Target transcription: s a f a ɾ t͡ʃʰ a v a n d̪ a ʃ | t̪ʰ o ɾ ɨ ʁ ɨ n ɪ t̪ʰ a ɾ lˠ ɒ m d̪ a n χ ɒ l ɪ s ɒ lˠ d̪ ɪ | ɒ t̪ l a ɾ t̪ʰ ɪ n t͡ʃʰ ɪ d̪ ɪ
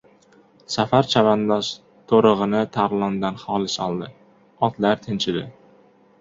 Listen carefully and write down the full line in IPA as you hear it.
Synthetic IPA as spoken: s a f a ɾ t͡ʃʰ a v a n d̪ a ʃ | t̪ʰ o ɾ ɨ ʁ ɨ n ɪ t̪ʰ a ɾ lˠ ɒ n d̪ a n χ ɒ l ɪ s ɒ lˠ d̪ ɪ | ɒ t̪ l a ɾ t̪ʰ ɪ n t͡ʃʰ ɪ d̪ ɪ